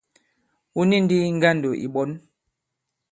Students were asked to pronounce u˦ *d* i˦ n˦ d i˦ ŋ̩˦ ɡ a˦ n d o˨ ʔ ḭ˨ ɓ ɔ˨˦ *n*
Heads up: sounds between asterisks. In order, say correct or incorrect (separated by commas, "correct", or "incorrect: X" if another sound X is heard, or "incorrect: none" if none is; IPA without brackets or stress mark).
incorrect: n, correct